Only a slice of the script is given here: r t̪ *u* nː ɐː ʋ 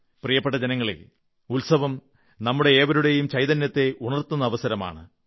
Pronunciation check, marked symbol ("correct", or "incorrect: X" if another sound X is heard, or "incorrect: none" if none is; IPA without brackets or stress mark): correct